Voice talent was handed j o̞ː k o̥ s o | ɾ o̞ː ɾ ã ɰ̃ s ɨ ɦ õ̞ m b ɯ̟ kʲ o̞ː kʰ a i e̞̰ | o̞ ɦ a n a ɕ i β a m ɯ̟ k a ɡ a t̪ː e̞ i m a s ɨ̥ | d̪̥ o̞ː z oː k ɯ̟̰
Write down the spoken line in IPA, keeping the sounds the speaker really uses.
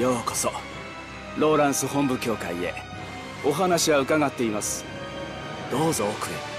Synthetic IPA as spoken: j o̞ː k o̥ s o | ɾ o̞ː ɾ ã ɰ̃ s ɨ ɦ õ̞ m b ɯ̟ kʲ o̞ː k a i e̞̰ | o̞ ɦ a n a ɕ i β a ɯ̟ k a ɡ a t̪ː e̞ i m a s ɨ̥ | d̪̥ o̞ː z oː k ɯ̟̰